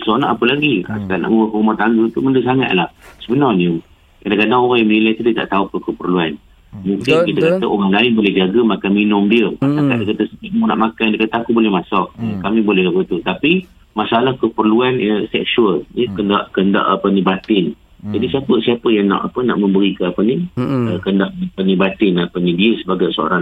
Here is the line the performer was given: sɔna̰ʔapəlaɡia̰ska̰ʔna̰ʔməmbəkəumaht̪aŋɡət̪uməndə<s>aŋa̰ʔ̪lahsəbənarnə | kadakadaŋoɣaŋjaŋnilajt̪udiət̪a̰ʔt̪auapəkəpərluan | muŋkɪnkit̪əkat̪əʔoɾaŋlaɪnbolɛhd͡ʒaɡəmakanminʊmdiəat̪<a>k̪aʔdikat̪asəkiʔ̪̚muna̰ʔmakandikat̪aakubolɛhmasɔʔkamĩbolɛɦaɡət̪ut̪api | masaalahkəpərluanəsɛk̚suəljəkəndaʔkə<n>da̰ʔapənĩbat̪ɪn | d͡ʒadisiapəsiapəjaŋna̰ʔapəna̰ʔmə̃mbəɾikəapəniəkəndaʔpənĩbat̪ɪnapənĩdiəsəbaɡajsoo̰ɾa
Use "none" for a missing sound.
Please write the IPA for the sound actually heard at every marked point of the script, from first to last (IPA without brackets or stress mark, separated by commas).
s, a, n